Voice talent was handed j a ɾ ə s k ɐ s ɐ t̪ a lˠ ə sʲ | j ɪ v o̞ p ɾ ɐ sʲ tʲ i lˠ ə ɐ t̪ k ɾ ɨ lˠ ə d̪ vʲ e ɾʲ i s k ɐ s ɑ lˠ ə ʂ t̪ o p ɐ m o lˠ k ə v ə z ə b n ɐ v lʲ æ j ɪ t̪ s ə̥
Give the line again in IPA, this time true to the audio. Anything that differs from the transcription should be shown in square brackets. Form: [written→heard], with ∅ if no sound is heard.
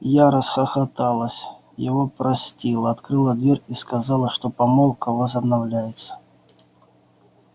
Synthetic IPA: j a ɾ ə s [k→x] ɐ [s→x] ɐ t̪ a lˠ ə sʲ | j ɪ v o̞ p ɾ ɐ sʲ tʲ i lˠ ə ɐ t̪ k ɾ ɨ lˠ ə d̪ vʲ e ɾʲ i s k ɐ [s→z] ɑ lˠ ə ʂ t̪ o p ɐ m o lˠ k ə v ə z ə b n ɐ v lʲ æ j ɪ t̪ s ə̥